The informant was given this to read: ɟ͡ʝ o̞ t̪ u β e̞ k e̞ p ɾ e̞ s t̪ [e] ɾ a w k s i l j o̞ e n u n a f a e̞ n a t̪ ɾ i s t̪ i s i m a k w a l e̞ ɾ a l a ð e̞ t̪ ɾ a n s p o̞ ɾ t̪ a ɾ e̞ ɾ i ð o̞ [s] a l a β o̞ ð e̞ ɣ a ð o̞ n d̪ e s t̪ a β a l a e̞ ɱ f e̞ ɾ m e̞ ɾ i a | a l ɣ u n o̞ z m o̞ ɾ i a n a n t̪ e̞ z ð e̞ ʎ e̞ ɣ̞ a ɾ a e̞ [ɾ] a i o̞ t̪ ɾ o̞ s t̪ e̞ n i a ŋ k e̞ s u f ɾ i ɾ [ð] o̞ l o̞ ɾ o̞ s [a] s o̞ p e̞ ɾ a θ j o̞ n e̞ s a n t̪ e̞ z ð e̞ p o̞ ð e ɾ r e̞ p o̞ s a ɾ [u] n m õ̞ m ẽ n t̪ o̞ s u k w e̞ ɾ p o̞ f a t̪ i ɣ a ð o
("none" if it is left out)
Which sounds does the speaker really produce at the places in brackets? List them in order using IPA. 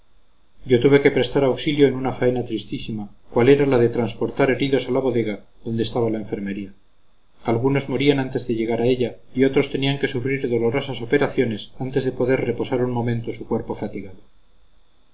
a, s, ʎ, ð, a, u

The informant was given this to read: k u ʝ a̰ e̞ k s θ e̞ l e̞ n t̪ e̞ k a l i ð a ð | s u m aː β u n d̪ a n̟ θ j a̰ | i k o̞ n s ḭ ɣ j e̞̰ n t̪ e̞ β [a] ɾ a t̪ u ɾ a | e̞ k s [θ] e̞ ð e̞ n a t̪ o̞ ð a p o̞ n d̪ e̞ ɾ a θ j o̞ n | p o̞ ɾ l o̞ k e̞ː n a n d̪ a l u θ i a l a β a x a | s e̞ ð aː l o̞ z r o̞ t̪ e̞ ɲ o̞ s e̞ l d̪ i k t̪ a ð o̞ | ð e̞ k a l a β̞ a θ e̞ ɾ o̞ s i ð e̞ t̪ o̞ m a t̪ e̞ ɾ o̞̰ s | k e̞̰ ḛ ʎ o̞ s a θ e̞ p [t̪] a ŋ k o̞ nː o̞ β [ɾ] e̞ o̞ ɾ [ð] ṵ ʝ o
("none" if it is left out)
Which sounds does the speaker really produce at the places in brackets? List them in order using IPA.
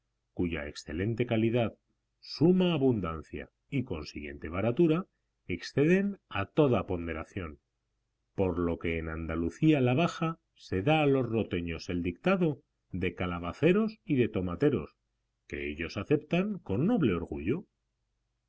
a, θ, t̪, l, ɣ

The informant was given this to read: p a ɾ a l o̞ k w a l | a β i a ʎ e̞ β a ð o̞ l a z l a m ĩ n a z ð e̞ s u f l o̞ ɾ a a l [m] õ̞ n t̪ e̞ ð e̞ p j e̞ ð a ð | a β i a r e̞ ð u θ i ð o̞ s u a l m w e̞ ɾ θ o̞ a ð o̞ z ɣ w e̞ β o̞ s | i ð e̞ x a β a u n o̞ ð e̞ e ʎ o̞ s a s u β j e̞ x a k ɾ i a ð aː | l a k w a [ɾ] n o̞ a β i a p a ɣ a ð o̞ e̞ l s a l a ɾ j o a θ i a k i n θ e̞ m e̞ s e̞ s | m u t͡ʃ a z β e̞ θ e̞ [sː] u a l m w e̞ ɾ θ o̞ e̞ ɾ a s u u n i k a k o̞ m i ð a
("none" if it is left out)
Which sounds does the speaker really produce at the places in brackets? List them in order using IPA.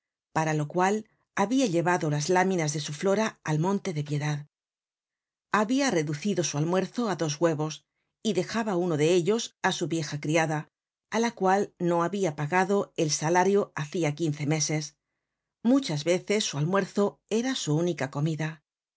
m, l, sː

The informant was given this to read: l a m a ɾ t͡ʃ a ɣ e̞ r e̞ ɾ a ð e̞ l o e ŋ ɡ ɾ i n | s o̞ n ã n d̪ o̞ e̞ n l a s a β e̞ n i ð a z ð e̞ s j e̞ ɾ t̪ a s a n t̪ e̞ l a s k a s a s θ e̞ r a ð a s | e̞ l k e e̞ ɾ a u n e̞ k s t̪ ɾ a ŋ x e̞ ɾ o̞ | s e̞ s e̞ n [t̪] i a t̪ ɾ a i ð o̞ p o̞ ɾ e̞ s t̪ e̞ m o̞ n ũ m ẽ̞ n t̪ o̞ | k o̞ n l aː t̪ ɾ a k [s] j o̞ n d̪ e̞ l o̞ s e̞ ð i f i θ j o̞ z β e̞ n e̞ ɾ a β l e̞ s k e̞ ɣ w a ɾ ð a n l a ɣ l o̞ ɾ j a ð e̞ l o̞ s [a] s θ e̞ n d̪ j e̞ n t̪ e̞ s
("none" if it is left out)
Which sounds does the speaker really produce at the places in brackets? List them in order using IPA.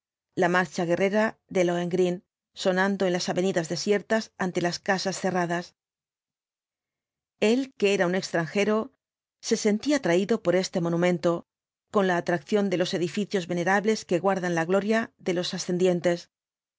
t̪, θ, a

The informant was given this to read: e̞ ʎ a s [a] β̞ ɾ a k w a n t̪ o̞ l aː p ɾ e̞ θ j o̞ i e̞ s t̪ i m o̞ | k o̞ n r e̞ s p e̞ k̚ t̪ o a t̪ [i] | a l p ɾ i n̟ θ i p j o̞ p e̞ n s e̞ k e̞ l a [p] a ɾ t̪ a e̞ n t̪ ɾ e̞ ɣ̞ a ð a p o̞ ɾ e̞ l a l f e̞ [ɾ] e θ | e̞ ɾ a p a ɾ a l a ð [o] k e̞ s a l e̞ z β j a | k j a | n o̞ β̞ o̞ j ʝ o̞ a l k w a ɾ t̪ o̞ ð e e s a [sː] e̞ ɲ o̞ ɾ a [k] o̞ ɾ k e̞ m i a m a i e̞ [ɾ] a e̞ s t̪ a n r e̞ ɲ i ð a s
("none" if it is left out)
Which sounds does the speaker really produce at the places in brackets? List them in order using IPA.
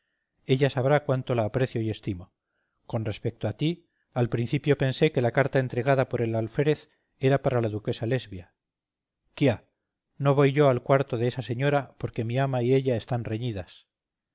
a, i, k, ɾ, u, s, p, ʎ

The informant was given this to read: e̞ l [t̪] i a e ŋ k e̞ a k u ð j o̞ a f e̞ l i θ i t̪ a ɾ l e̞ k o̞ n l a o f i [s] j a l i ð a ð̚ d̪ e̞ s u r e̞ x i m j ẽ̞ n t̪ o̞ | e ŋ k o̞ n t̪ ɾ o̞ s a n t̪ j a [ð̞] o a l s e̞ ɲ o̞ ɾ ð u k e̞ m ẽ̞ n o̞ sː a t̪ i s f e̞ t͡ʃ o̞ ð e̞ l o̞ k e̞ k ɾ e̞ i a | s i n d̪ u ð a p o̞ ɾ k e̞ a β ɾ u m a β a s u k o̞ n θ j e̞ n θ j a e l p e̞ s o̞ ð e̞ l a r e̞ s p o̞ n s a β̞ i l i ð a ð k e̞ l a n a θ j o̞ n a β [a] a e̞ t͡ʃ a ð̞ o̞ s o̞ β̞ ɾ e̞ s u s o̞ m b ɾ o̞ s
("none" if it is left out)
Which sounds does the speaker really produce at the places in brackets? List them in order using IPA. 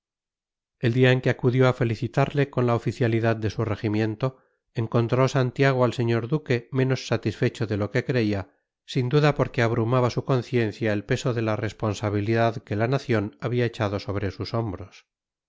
d̪, θ, ɣ̞, i

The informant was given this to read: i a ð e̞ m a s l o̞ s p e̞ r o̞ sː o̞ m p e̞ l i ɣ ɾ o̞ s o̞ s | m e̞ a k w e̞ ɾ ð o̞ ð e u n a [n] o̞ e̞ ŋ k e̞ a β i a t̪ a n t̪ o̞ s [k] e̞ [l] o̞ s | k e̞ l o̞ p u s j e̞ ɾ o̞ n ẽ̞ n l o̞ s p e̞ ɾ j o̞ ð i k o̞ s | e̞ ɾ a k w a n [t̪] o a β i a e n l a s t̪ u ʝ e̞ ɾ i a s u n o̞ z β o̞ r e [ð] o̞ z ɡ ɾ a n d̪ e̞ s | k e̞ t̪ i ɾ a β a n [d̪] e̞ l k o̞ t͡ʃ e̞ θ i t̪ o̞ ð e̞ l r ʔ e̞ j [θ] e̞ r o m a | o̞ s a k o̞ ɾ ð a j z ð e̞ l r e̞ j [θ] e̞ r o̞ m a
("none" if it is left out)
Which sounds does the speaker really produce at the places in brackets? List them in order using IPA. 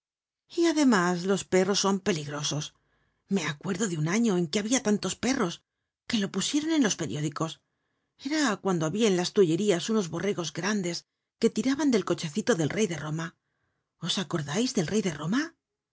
ɲ, p, r, d̪, ɣ, d̪, ð, ð

